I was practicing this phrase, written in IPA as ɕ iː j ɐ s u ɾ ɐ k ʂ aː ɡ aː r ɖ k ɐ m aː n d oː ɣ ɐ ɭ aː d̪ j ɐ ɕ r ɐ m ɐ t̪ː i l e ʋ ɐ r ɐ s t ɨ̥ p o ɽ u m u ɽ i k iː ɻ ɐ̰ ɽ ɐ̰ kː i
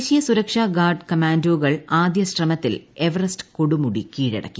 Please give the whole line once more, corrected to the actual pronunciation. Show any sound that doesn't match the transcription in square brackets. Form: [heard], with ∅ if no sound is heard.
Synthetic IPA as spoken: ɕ [i] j ɐ s u ɾ ɐ k ʂ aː ɡ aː r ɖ k ɐ m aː n d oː ɣ ɐ ɭ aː d̪ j ɐ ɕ r ɐ m ɐ t̪ː i l e ʋ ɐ r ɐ s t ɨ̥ [k] o ɽ u m u ɽ i k iː ɻ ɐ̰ ɽ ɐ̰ kː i

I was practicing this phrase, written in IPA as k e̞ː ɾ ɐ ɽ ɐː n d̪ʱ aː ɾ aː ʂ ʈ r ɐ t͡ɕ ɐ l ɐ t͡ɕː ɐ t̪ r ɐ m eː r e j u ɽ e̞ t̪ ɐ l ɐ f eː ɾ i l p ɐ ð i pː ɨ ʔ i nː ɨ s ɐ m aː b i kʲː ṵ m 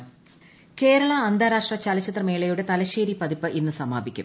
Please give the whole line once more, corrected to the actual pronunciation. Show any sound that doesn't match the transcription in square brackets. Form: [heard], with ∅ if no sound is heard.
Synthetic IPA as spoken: k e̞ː ɾ ɐ [ɭ] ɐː n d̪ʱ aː ɾ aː ʂ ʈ r ɐ t͡ɕ ɐ l ɐ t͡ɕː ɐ t̪ r ɐ m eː [ɭ] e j u ɽ e̞ t̪ ɐ l ɐ [ɕ] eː ɾ i [∅] p ɐ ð i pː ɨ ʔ i nː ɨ s ɐ m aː b i kʲː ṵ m

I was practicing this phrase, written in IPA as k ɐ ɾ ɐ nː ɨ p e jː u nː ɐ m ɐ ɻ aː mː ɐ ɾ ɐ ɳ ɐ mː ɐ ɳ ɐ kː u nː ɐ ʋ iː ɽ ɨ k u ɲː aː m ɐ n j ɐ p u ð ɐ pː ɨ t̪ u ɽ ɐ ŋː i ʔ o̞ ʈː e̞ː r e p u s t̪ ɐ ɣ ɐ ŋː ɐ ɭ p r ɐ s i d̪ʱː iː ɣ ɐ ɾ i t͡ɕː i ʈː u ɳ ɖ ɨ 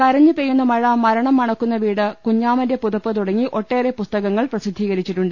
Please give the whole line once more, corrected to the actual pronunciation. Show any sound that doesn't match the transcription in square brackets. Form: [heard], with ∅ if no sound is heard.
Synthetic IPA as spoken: k ɐ ɾ ɐ [ɲː] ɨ p e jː u nː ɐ m ɐ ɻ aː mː ɐ ɾ ɐ ɳ ɐ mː ɐ ɳ ɐ kː u nː ɐ ʋ iː ɽ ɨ k u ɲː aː m ɐ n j ɐ p u ð ɐ pː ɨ t̪ u ɽ ɐ ŋː i ʔ o̞ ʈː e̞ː r e p u s t̪ ɐ ɣ ɐ ŋː ɐ ɭ p r ɐ s i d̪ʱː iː ɣ ɐ ɾ i t͡ɕː i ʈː u ɳ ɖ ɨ

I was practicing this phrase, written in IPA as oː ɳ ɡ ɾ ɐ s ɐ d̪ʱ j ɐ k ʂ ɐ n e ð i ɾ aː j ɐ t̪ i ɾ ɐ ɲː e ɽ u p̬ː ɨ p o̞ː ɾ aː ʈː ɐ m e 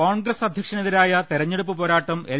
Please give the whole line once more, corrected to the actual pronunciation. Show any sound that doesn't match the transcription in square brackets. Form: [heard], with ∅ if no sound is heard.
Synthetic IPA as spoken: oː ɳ ɡ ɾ ɐ s ɐ d̪ʱ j ɐ k ʂ ɐ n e ð i ɾ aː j ɐ t̪ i ɾ ɐ ɲː e ɽ u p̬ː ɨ p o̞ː ɾ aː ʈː ɐ m e

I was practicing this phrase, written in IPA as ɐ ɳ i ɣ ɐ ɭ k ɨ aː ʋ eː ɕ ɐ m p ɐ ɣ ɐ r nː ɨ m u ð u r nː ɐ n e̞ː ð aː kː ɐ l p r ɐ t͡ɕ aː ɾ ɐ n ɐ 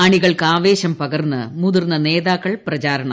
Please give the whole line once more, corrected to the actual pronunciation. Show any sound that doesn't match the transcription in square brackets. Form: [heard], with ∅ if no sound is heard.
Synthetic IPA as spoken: ɐ ɳ i ɣ ɐ ɭ k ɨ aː ʋ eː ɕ ɐ m p ɐ ɣ ɐ r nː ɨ m u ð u r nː ɐ n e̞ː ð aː kː ɐ [ɭ] p r ɐ t͡ɕ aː ɾ ɐ [ɳ] ɐ

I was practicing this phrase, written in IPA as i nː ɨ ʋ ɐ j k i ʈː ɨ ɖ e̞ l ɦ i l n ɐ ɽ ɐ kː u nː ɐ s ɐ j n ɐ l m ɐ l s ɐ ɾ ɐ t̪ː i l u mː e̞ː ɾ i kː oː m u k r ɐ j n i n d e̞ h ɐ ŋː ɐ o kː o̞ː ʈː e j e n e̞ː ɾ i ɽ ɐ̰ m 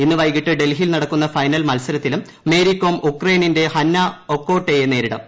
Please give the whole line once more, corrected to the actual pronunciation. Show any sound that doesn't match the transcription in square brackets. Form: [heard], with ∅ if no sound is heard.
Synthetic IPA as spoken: i nː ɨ ʋ ɐ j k i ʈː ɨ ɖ e̞ l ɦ i l n ɐ ɽ ɐ kː u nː ɐ [f] ɐ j n ɐ l m ɐ l s ɐ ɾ ɐ t̪ː i l u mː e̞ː ɾ i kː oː m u k r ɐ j n i n d e̞ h ɐ [nː] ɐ o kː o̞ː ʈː e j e n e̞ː ɾ i ɽ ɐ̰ m

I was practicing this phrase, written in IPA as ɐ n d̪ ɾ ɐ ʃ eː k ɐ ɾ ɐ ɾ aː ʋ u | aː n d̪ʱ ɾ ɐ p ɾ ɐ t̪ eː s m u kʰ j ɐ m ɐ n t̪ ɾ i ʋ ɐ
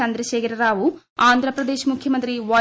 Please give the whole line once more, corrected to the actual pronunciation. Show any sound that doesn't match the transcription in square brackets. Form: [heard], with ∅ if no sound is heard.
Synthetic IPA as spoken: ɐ n d̪ ɾ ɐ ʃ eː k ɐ ɾ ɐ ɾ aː ʋ u | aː n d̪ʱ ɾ ɐ p ɾ ɐ [d̪] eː [ʃ] m u kʰ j ɐ m ɐ n t̪ ɾ i ʋ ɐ

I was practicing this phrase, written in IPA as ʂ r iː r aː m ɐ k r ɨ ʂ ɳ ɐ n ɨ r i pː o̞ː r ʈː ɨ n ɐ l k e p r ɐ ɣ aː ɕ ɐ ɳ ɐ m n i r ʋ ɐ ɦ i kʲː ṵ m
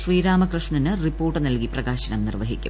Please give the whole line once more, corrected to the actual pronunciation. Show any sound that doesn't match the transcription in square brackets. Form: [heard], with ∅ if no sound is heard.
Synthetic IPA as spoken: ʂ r iː [ɾ] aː m ɐ k r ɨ ʂ ɳ ɐ n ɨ r i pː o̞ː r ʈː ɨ n ɐ l k [i] p r ɐ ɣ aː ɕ ɐ [n] ɐ m n i r ʋ ɐ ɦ i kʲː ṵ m

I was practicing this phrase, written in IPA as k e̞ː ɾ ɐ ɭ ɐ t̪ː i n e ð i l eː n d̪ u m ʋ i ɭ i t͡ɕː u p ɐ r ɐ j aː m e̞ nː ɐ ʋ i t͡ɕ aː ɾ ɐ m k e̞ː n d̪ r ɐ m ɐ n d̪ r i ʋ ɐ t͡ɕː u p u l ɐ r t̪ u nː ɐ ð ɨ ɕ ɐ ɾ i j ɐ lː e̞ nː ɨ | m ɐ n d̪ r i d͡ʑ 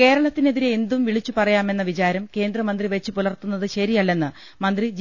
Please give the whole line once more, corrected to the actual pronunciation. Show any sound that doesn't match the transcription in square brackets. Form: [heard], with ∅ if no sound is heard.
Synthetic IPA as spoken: k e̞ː ɾ ɐ ɭ ɐ t̪ː i n e ð i [ɾ] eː n d̪ u m ʋ i ɭ i t͡ɕː u p ɐ r ɐ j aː m e̞ nː ɐ ʋ i t͡ɕ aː ɾ ɐ m k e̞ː n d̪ r ɐ m ɐ n d̪ r i ʋ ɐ t͡ɕː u p u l ɐ r t̪ u nː ɐ ð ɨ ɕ ɐ ɾ i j ɐ lː e̞ nː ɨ | m ɐ n d̪ r i d͡ʑ

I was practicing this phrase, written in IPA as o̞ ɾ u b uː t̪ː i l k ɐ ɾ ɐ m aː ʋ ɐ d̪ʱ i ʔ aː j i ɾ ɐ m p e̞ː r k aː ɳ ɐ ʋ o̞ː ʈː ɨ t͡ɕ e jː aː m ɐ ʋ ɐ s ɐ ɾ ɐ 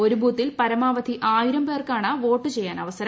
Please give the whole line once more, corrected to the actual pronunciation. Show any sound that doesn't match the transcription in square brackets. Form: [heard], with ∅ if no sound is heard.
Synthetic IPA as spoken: o̞ ɾ u b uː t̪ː i l [p] ɐ ɾ ɐ m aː ʋ ɐ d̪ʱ i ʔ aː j i ɾ ɐ m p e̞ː r k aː ɳ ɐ ʋ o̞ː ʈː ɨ t͡ɕ e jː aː [n] ɐ ʋ ɐ s ɐ ɾ ɐ

